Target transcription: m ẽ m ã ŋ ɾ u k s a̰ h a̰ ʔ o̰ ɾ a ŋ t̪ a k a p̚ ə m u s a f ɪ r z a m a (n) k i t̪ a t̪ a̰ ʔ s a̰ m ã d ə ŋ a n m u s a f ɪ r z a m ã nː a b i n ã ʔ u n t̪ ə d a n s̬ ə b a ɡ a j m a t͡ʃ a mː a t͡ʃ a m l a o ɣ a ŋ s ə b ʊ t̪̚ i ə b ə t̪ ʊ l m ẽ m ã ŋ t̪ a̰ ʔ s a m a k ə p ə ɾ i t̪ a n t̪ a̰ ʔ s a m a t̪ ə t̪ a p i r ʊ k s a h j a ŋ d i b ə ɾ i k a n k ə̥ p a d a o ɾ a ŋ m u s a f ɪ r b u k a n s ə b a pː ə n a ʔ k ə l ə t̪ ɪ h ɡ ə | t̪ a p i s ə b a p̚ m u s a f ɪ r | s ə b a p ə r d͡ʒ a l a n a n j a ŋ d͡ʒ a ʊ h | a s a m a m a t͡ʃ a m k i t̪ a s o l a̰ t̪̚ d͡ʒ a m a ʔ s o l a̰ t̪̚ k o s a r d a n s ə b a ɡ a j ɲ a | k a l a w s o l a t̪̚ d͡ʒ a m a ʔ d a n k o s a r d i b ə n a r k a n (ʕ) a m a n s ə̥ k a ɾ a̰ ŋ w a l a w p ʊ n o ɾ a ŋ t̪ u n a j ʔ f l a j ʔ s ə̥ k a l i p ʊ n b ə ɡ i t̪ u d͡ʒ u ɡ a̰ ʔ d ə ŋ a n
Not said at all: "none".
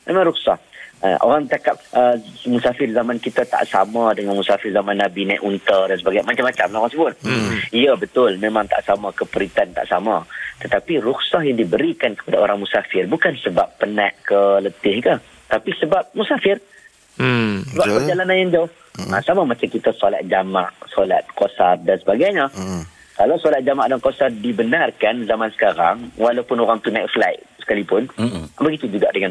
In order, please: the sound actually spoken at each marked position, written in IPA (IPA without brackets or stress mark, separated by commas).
n, z